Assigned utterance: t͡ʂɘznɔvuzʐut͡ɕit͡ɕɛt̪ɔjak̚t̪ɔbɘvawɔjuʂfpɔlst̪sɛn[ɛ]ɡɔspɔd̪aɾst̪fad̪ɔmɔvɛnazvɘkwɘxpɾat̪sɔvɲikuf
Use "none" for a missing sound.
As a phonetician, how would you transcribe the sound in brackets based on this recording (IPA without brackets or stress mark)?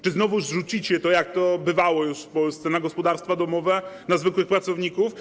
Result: a